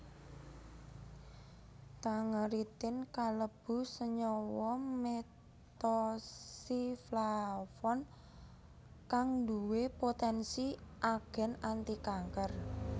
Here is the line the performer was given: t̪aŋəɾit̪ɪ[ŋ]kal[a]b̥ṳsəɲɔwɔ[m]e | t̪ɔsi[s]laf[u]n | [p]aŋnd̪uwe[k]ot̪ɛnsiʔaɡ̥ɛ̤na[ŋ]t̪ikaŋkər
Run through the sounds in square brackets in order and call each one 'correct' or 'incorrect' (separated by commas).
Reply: incorrect, incorrect, correct, incorrect, incorrect, incorrect, incorrect, incorrect